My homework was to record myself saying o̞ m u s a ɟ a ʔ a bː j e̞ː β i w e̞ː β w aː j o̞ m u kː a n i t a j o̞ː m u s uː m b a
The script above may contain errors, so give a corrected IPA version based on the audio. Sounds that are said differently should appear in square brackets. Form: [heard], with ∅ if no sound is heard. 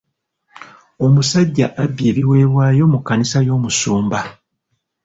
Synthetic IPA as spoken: o̞ m u s a [ɟː] a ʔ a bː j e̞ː β i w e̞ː β w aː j o̞ m u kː a n i [s] a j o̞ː m u s uː m b a